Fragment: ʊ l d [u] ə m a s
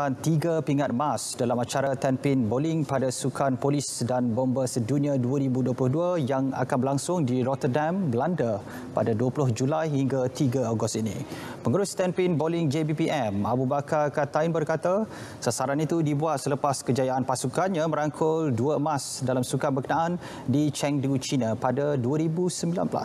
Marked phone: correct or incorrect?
correct